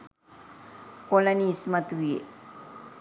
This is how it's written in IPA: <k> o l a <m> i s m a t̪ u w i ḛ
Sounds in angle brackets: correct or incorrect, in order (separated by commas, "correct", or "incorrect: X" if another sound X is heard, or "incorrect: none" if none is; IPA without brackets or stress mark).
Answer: correct, incorrect: n